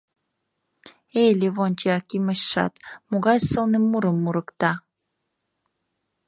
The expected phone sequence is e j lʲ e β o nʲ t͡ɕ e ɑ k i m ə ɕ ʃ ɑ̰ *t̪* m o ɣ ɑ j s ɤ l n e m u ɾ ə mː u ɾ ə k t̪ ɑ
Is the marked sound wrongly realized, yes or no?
no